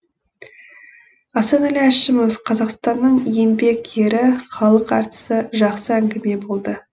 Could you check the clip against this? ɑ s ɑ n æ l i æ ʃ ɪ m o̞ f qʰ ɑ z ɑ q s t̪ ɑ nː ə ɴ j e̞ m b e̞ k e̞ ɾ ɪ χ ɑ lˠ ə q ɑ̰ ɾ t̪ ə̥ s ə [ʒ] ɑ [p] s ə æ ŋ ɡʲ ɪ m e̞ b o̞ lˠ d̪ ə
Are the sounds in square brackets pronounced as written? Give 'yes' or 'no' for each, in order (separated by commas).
yes, no